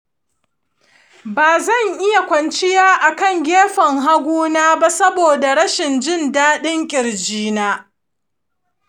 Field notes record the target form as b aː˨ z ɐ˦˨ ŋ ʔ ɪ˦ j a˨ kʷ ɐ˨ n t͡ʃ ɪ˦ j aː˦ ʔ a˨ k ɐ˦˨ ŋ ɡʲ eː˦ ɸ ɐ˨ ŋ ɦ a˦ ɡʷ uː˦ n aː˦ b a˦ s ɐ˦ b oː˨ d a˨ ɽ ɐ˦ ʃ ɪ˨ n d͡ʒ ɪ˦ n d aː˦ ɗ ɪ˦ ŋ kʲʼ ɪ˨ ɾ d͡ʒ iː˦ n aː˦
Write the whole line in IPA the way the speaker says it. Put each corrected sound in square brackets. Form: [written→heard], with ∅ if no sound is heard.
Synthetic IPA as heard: b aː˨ z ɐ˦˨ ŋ ʔ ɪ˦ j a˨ kʷ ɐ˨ n t͡ʃ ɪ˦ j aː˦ ʔ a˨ k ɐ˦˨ ŋ ɡʲ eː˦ ɸ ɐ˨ ŋ ɦ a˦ ɡʷ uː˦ n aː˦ b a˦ s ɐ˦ b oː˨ d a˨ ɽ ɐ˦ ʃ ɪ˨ n d͡ʒ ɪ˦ n d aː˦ ɗ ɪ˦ ŋ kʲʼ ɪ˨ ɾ d͡ʒ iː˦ n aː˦